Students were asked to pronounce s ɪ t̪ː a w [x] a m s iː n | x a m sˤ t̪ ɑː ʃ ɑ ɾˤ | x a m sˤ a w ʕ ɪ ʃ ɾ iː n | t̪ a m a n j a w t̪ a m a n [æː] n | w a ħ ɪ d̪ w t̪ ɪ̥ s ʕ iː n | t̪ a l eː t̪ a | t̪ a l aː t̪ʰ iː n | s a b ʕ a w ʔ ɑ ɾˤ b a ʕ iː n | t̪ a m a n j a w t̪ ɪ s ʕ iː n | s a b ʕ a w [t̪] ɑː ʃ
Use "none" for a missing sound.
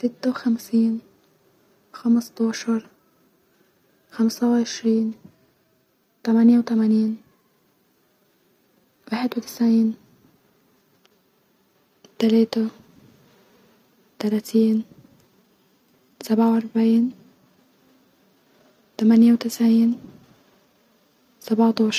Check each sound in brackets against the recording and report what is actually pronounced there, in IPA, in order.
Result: x, iː, t̪

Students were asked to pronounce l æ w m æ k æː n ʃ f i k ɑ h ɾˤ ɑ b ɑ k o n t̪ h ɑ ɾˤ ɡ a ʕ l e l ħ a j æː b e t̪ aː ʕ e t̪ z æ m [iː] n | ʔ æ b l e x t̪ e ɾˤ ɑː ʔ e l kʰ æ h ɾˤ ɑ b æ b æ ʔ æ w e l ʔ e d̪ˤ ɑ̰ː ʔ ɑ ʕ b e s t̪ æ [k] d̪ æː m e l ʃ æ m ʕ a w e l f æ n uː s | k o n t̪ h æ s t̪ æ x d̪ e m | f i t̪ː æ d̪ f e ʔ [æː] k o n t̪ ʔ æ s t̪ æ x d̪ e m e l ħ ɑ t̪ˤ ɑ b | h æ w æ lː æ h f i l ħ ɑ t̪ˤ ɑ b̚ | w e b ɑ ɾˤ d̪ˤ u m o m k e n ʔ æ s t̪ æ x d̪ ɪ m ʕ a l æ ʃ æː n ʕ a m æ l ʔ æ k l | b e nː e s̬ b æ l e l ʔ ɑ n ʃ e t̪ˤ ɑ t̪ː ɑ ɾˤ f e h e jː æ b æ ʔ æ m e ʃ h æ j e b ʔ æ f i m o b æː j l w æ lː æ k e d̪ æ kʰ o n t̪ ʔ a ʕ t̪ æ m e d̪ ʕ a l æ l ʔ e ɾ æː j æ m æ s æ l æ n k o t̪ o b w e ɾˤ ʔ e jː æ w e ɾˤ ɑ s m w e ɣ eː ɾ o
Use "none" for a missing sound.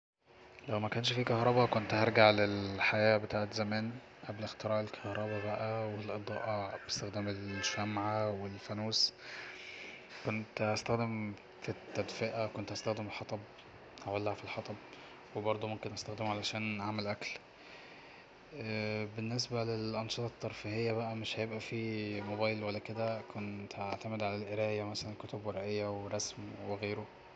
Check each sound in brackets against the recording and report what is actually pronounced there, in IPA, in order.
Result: æː, x, æ

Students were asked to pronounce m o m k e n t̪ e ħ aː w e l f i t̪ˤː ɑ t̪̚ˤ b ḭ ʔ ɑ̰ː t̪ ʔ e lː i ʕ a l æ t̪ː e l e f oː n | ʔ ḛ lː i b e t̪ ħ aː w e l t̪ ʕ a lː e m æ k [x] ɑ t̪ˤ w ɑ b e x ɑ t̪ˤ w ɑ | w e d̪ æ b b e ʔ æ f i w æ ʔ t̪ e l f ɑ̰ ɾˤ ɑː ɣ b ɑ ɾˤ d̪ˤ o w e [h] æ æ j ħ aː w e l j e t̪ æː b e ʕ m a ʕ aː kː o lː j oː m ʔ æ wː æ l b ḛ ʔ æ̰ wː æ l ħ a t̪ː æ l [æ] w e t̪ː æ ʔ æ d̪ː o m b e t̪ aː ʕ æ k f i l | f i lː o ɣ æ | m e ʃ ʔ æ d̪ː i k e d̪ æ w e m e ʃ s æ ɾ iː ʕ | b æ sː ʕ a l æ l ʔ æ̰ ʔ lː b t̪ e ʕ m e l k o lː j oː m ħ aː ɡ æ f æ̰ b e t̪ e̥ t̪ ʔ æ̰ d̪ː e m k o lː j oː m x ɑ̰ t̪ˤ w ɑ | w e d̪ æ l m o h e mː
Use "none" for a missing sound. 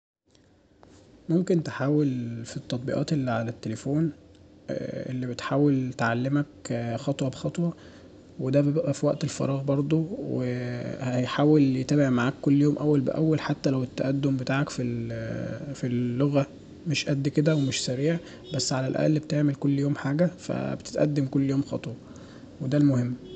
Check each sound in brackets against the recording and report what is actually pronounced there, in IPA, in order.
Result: x, h, æ

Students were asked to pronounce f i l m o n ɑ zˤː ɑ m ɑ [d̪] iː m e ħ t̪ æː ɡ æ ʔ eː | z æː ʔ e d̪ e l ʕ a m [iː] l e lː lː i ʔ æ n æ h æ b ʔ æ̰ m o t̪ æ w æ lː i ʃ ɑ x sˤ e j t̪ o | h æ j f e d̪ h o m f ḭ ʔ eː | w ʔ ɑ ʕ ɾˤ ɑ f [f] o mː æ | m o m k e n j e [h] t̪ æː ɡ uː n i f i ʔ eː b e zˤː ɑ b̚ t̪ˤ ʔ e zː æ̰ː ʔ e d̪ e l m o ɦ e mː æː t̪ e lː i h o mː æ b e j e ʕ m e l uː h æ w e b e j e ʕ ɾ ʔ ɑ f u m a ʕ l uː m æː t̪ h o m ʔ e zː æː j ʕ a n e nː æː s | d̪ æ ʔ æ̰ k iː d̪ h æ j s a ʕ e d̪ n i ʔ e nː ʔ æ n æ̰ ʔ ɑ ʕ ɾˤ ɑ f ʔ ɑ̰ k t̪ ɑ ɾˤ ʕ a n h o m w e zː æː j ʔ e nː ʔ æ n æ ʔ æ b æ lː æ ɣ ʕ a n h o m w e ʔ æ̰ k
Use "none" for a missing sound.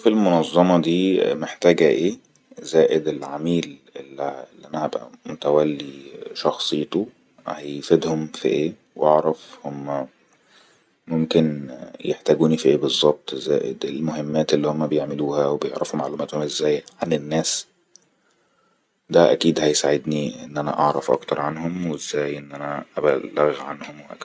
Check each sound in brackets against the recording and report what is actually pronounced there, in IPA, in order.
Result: d̪, iː, h, ħ

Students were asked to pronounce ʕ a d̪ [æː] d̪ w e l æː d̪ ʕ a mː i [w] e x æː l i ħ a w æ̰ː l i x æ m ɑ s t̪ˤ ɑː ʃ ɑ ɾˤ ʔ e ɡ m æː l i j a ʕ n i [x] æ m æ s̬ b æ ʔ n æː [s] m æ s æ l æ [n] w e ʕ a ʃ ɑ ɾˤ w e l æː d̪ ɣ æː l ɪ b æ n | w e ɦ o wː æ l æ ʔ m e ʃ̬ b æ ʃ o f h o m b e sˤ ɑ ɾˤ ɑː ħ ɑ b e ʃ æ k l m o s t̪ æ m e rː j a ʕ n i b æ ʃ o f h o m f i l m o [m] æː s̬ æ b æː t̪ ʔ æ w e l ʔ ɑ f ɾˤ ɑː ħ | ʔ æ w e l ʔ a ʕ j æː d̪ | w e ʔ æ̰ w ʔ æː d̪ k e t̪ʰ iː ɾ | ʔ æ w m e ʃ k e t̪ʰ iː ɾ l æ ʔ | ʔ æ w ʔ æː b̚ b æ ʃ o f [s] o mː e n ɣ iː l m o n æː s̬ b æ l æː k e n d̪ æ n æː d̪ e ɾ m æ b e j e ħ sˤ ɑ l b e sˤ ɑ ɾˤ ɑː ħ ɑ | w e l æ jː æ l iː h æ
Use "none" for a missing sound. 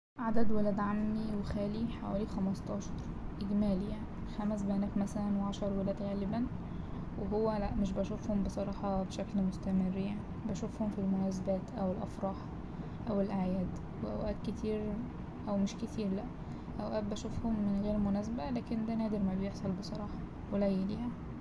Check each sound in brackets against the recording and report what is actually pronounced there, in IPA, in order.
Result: æ, w, x, f, n, n, h

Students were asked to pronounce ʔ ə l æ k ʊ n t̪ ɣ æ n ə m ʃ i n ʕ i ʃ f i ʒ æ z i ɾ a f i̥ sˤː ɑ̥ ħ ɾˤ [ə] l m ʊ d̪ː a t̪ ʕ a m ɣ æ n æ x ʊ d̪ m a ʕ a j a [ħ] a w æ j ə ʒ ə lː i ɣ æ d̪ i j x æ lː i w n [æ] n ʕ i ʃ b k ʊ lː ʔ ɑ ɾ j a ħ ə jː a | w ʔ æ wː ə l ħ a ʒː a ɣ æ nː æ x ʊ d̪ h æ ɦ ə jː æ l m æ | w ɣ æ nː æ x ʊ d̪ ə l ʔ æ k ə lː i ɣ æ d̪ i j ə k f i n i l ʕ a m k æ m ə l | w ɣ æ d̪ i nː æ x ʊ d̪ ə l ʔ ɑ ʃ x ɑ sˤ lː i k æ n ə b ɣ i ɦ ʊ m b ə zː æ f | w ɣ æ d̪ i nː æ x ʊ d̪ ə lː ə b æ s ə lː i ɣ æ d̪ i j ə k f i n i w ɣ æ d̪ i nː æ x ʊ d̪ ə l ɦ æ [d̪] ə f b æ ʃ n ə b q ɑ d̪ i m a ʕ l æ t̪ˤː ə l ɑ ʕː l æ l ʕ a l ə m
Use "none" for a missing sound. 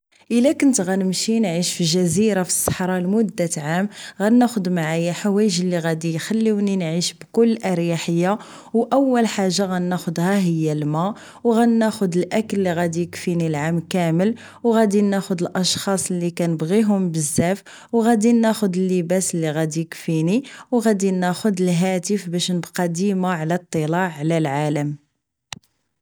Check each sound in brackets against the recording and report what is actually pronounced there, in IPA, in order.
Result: ɑ, ħ, i, t̪

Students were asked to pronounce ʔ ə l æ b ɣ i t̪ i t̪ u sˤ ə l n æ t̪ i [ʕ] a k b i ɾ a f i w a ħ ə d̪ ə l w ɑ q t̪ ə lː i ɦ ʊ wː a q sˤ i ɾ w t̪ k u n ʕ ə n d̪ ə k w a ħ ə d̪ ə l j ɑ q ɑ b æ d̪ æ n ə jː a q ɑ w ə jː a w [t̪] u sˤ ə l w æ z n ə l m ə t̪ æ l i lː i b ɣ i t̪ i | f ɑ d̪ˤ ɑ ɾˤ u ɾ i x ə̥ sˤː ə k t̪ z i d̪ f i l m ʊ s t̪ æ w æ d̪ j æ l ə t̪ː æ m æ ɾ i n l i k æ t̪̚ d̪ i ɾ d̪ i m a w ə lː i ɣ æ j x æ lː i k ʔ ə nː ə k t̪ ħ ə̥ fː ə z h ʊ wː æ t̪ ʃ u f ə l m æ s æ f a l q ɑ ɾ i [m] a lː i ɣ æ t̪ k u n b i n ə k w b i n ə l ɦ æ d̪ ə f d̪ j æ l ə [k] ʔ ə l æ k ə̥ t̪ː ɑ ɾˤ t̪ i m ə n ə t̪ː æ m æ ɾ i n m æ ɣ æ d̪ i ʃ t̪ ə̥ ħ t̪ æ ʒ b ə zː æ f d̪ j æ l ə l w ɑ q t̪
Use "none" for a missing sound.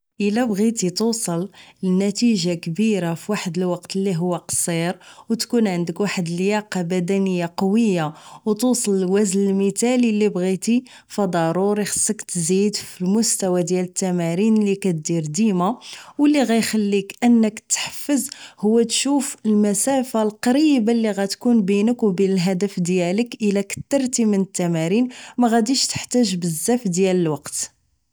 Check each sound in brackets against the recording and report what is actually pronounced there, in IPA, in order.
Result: ʒ, t̪, b, k

